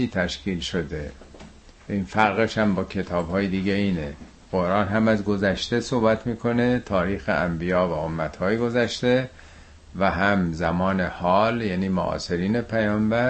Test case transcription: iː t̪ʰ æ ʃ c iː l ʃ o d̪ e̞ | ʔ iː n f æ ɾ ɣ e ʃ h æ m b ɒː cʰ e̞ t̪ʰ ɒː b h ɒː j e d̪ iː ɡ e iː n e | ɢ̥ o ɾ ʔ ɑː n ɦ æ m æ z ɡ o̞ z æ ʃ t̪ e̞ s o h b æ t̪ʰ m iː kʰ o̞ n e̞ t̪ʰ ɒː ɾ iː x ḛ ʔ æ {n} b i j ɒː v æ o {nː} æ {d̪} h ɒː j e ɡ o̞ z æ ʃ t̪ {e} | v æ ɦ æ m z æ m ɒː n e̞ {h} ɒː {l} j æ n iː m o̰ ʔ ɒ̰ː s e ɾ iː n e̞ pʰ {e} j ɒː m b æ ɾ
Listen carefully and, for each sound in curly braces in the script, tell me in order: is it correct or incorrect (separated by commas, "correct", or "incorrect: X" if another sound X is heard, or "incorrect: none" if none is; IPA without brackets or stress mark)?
incorrect: m, incorrect: mː, incorrect: t̪, correct, correct, correct, incorrect: æ